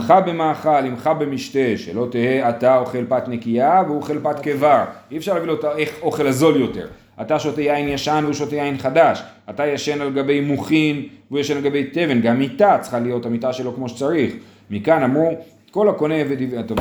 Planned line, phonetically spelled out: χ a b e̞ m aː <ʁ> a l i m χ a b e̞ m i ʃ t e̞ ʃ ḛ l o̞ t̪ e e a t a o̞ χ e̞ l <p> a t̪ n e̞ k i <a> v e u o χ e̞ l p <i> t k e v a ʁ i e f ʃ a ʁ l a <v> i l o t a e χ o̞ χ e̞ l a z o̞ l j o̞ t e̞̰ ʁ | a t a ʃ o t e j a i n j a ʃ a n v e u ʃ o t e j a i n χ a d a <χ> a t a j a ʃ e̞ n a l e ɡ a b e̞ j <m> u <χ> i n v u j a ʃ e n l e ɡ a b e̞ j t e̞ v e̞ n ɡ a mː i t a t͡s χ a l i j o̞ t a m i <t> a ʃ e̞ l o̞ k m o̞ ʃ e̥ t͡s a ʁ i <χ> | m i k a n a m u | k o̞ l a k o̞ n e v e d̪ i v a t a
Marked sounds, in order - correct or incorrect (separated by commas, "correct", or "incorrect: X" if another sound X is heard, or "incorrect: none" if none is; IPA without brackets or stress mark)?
incorrect: χ, correct, correct, incorrect: a, correct, incorrect: ʃ, correct, correct, correct, correct